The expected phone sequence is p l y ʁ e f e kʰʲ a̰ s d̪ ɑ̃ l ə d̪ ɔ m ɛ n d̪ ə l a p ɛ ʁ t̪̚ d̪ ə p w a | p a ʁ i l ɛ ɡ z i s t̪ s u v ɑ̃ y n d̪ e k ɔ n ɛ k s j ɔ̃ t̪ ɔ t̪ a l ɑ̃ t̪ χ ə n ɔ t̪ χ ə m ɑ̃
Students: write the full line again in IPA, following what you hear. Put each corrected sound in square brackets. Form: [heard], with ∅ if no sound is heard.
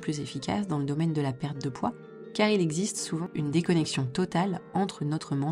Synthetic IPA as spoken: p l y [z] e f [i] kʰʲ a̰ s d̪ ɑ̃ l ə d̪ ɔ m ɛ n d̪ ə l a p ɛ ʁ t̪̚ d̪ ə p w a | [k] a ʁ i l ɛ ɡ z i s t̪ s u v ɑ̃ y n d̪ e k ɔ n ɛ k s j ɔ̃ t̪ ɔ t̪ a l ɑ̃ t̪ χ ə n ɔ t̪ χ ə m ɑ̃